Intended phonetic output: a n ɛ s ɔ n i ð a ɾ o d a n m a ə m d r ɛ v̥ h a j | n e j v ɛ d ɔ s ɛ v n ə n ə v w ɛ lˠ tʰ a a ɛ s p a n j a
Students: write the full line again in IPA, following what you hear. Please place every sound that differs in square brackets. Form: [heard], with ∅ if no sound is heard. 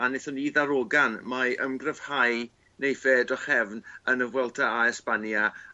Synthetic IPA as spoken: a n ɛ [θ] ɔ n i ð a ɾ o [ɡ] a n m a ə m [ɡ] r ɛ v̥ h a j | n e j [f] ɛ d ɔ [χ] ɛ v n ə n ə v w ɛ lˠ tʰ a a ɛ s p a n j a